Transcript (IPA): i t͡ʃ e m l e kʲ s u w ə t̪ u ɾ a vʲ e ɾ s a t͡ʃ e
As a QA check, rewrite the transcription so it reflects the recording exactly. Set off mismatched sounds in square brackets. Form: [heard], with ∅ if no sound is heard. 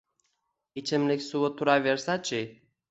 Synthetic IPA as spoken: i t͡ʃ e m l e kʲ s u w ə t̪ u ɾ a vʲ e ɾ s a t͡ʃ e